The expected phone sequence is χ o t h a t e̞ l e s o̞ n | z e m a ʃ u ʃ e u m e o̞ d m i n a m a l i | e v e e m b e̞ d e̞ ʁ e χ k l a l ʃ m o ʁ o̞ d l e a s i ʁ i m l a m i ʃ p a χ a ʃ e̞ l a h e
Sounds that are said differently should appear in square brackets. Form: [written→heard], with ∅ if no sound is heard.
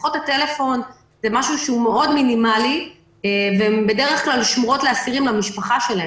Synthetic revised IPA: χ o t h a t e̞ l e [s→f] o̞ n | z e m a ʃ u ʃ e u m e o̞ d m i n [a→i] m a l i | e v e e m b e̞ d e̞ ʁ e χ k l a l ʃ m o ʁ o̞ [d→t] l e a s i ʁ i m l a m i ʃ p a χ a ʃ e̞ l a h e

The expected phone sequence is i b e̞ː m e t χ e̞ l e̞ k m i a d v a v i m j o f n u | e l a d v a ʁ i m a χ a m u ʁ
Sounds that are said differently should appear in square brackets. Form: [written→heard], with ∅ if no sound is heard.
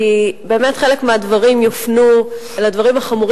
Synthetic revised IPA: i b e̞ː m e t χ e̞ l e̞ k m [i→e] a d v a [v→ʁ] i m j o f n u | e l a d v a ʁ i m a χ a m u ʁ

